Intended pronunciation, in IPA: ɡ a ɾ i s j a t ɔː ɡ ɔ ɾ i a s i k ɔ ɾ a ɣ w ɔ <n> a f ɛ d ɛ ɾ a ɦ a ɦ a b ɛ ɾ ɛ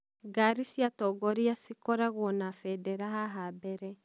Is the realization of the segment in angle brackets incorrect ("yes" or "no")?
no